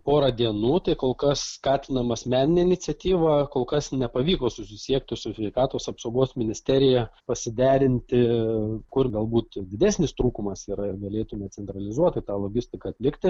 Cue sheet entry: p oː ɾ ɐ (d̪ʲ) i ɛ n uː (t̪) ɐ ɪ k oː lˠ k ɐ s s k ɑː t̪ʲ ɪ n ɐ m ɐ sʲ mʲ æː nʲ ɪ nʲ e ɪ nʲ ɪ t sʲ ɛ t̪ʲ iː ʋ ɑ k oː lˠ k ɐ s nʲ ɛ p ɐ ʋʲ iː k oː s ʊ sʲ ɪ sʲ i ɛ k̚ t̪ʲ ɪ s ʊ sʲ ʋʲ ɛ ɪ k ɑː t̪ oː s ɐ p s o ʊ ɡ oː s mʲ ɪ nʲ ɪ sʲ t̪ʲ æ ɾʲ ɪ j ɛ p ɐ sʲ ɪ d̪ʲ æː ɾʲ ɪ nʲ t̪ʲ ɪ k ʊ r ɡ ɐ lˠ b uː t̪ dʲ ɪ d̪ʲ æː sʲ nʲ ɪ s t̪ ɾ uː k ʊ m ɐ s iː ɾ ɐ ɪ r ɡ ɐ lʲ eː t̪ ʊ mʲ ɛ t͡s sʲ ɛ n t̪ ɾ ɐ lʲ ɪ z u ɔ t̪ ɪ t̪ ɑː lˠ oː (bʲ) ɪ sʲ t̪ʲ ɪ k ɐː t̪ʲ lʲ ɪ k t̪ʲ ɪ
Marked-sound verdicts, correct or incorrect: correct, correct, incorrect: ɡʲ

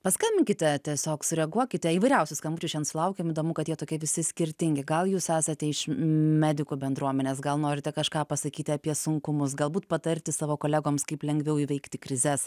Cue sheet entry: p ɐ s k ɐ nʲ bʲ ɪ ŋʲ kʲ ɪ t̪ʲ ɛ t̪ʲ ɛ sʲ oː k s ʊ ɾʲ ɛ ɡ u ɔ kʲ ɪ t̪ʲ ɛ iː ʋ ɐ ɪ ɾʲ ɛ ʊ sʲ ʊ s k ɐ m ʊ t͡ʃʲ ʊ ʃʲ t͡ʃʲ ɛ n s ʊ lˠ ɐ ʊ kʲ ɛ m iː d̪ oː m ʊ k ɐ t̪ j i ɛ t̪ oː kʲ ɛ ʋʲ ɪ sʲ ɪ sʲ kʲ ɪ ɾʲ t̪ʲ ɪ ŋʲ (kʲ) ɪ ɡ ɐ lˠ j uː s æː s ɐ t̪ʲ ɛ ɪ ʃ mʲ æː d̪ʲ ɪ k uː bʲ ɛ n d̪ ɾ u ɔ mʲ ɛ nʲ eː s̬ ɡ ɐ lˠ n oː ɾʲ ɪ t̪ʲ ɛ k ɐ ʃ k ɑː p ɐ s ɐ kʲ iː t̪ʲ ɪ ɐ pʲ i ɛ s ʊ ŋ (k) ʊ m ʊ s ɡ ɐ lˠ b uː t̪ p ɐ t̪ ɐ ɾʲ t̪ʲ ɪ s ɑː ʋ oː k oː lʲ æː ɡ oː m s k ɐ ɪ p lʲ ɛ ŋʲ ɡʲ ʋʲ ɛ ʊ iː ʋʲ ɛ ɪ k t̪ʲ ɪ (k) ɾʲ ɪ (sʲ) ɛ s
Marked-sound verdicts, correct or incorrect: incorrect: ɡʲ, correct, correct, incorrect: zʲ

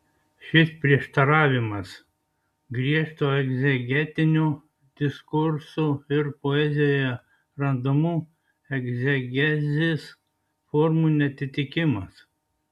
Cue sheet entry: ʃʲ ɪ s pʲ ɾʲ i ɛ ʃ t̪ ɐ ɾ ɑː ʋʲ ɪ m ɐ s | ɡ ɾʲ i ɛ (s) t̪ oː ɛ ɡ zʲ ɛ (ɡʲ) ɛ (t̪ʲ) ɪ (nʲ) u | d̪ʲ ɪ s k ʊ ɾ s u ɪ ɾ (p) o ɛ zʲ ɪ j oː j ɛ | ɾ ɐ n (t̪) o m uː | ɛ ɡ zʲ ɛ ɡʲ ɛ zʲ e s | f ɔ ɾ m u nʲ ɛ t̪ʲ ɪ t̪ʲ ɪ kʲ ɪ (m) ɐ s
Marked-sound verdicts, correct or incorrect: incorrect: ʃ, correct, correct, correct, correct, incorrect: d̪, correct

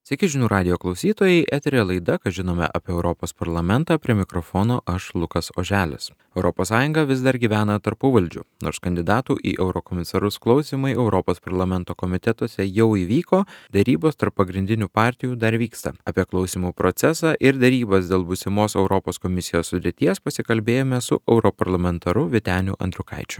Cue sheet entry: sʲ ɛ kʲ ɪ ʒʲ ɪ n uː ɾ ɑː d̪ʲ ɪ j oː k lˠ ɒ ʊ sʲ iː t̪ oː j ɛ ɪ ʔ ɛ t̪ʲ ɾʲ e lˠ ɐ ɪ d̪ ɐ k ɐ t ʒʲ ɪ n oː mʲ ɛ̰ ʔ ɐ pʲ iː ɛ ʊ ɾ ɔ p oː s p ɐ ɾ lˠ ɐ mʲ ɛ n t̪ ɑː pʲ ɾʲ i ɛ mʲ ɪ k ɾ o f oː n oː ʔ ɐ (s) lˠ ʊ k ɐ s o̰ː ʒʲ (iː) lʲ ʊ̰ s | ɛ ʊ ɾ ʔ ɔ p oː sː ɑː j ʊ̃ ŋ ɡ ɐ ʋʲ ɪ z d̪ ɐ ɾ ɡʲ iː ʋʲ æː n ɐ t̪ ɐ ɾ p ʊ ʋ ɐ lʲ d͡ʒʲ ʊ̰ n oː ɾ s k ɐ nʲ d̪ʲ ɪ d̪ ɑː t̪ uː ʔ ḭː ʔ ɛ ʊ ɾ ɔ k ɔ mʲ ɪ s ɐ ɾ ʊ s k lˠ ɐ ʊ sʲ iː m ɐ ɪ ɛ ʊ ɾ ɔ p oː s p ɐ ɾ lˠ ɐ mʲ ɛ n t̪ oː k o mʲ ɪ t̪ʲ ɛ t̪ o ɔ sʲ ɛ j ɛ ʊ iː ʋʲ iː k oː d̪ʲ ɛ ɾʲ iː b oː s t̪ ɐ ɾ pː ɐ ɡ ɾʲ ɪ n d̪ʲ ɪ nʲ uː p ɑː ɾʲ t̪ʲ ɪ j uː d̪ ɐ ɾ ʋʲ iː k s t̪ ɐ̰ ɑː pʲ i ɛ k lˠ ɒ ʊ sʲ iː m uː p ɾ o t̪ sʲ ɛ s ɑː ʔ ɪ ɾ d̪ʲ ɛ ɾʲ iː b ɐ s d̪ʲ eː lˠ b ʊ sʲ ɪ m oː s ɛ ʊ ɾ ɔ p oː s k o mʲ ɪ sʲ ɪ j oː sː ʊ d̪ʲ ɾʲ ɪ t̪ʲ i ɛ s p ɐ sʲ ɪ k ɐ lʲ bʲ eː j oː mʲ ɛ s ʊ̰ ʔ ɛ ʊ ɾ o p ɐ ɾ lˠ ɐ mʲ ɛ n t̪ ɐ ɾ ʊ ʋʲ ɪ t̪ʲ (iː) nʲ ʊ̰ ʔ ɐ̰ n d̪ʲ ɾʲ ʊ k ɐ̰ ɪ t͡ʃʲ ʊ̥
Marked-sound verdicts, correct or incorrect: incorrect: ʃ, incorrect: æː, incorrect: æː

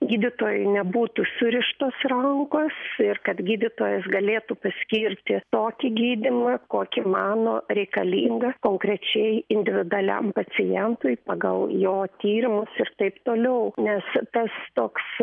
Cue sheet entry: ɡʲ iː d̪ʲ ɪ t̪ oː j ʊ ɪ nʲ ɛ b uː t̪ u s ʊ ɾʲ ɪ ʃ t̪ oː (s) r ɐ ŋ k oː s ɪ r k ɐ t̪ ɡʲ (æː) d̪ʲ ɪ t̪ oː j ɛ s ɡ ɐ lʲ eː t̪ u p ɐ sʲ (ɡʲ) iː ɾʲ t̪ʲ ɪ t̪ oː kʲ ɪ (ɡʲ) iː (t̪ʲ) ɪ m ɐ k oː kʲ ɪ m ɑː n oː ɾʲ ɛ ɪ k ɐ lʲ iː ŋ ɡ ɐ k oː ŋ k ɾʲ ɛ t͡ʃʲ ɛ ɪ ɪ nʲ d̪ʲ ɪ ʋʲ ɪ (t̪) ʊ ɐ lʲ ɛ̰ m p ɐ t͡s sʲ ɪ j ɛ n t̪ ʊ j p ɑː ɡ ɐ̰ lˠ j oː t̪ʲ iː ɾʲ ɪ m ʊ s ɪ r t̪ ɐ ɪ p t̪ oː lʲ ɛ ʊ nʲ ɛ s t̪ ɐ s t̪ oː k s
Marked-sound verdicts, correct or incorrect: correct, incorrect: iː, incorrect: kʲ, correct, incorrect: d̪ʲ, incorrect: d̪

